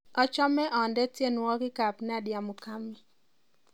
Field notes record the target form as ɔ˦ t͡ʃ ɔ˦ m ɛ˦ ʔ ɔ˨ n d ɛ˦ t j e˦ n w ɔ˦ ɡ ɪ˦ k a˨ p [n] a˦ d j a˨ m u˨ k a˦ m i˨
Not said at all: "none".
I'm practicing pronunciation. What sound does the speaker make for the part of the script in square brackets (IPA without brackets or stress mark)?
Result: n